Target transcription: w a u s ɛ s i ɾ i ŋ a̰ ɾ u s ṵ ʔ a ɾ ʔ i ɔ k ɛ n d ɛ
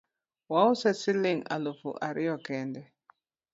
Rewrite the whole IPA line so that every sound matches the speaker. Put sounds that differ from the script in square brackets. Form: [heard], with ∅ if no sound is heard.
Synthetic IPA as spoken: w a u s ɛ s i [l] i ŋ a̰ [l] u [f] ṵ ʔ a ɾ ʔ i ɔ k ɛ n d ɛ